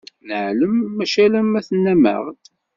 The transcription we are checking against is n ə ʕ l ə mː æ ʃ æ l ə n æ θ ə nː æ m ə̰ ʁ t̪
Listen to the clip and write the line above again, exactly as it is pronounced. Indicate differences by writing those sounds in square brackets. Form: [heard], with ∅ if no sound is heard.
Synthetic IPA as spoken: n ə ʕ l ə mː æ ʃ æ l ə [m] æ θ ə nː æ m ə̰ ʁ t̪